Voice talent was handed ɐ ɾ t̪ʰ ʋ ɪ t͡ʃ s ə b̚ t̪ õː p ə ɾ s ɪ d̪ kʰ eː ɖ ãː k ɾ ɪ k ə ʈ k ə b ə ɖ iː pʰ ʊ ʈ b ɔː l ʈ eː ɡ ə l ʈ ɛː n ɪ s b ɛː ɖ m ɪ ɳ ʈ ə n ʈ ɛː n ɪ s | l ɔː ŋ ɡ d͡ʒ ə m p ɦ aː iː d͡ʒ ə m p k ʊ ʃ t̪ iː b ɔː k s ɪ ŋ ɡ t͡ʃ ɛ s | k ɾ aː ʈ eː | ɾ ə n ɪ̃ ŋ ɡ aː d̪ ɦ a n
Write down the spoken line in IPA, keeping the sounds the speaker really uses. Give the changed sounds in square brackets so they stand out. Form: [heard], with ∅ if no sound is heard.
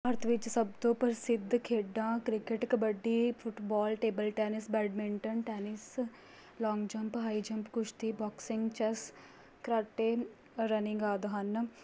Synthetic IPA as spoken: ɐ ɾ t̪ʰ ʋ ɪ t͡ʃ s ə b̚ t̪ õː p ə ɾ s ɪ d̪ kʰ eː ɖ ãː k ɾ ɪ k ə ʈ k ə b ə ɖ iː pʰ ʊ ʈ b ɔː l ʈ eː [b] ə l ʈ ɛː n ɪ s b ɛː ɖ m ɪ ɳ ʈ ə n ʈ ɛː n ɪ s | l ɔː ŋ ɡ d͡ʒ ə m p ɦ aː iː d͡ʒ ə m p k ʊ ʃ t̪ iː b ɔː k s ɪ ŋ ɡ t͡ʃ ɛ s | k ɾ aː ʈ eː | ɾ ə n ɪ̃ ŋ ɡ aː d̪ ɦ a n